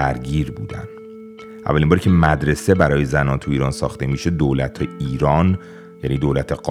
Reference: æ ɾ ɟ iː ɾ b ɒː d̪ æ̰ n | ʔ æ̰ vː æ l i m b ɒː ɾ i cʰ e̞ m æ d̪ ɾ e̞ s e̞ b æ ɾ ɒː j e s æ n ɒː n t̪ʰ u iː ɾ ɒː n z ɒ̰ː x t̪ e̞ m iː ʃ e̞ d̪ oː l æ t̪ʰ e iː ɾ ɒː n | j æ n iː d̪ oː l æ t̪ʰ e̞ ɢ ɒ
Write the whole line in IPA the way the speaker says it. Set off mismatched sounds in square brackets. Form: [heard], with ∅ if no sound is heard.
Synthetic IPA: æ ɾ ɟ iː ɾ b [uː] d̪ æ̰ n | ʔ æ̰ vː æ l i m b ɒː ɾ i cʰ e̞ m æ d̪ ɾ e̞ s e̞ b æ ɾ ɒː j e [z] æ n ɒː n t̪ʰ u iː ɾ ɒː n [s] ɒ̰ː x t̪ e̞ m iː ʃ e̞ d̪ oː l æ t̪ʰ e iː ɾ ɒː n | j æ n iː d̪ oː l æ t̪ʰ e̞ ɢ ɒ